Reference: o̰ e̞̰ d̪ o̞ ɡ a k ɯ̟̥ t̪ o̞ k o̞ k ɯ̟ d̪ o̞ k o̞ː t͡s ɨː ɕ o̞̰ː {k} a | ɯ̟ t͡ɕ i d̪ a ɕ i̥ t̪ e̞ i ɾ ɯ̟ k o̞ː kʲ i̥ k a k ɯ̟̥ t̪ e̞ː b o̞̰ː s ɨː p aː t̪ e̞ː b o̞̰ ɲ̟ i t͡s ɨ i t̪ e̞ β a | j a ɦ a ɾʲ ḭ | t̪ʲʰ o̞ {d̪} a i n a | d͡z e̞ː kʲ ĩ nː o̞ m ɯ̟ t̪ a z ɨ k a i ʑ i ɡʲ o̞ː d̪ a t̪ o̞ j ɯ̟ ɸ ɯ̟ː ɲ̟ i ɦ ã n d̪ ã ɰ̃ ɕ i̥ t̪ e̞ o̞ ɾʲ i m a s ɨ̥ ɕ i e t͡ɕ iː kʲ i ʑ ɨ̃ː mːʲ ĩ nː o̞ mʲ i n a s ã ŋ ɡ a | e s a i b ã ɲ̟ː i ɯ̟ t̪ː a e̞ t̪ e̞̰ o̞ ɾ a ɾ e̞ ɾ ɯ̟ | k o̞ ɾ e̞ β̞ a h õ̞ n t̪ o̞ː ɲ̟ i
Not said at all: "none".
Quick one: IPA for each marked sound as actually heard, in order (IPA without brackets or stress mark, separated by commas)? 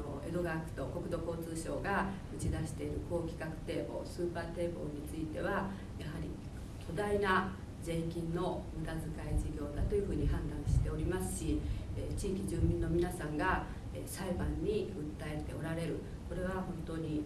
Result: ɡ, d̪